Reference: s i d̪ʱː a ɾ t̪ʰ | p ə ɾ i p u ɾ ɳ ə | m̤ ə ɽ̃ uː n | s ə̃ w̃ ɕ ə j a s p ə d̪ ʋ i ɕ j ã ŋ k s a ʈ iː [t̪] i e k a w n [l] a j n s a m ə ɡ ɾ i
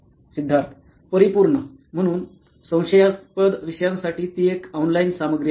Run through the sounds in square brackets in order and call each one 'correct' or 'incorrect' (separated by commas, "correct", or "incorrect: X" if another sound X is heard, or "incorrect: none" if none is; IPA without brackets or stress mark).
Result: correct, correct